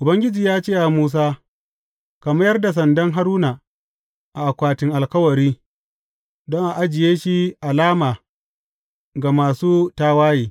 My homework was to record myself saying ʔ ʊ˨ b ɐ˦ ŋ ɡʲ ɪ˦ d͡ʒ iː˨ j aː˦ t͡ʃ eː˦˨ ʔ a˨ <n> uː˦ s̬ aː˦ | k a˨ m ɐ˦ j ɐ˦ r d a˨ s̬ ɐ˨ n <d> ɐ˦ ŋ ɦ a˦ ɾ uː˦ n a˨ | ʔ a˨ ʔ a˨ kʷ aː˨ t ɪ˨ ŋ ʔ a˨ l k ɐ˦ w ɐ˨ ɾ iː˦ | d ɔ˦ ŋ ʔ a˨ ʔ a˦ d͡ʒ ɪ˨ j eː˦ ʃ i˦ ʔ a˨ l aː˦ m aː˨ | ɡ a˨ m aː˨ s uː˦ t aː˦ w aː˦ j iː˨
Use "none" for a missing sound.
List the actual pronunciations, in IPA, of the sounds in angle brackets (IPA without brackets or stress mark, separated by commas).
m, d